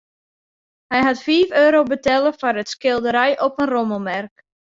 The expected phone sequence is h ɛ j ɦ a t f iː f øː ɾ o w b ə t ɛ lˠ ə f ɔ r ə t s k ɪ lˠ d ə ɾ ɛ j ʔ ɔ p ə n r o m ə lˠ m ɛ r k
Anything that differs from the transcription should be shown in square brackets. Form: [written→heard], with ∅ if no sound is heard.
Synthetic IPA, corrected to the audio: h ɛ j ɦ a t f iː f øː ɾ o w b ə t ɛ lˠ ə f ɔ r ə t s k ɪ lˠ d ə ɾ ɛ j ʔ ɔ p ə n r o m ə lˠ m ɛ r k